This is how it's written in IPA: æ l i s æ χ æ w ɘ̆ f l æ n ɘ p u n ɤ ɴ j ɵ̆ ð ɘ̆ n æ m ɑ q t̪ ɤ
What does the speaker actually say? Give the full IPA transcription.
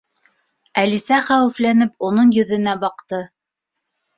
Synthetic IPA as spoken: æ l i s æ χ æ w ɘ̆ f l æ n ɘ p u n ɤ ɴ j ɵ̆ ð ɘ̆ n æ b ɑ q t̪ ɤ